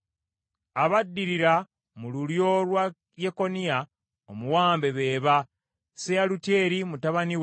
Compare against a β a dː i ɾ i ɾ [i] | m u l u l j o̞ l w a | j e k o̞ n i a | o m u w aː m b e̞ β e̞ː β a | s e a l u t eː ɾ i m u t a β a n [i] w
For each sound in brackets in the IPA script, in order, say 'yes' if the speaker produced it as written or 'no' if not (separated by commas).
no, yes